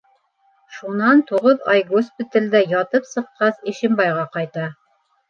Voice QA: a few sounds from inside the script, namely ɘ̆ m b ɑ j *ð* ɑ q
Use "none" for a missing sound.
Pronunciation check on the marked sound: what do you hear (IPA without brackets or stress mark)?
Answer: ʁ